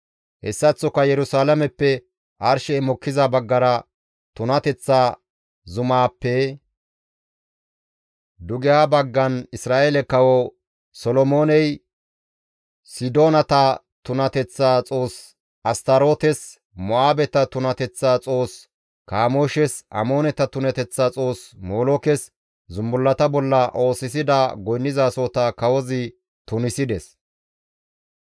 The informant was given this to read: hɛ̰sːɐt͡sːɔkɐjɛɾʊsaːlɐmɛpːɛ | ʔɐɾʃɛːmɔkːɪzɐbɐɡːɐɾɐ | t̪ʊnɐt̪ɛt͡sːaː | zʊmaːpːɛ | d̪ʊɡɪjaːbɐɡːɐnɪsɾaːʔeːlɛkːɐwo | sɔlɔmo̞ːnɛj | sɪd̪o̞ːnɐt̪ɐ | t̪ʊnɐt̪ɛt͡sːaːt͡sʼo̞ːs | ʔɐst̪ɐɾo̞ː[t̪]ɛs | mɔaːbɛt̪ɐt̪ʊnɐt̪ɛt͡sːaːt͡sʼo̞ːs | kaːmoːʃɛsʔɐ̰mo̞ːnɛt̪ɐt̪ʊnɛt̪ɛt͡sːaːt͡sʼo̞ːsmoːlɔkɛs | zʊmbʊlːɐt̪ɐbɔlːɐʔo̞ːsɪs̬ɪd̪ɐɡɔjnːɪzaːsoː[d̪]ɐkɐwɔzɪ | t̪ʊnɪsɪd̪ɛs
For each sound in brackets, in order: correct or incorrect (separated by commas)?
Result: correct, incorrect